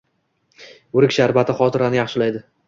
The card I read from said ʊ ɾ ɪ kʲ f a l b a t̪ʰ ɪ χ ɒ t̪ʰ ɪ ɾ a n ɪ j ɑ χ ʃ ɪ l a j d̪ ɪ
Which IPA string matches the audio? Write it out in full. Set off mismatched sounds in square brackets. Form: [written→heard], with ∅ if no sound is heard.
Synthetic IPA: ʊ ɾ ɪ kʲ [f→ʃ] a [l→ɾ] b a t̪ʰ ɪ χ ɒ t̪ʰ ɪ ɾ a n ɪ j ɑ χ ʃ ɪ l a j d̪ ɪ